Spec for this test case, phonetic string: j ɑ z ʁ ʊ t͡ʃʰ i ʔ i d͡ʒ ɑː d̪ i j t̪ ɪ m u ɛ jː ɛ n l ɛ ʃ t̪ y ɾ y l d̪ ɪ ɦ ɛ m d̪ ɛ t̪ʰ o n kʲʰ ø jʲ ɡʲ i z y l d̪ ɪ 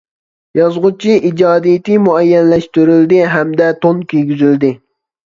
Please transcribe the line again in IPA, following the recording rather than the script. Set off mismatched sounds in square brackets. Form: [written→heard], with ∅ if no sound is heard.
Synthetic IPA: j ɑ z ʁ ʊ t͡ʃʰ i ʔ i d͡ʒ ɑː d̪ i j t̪ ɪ m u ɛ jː ɛ n l ɛ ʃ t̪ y ɾ y l d̪ ɪ ɦ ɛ m d̪ ɛ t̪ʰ o n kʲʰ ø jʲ ɡʲ [i→y] z y l d̪ ɪ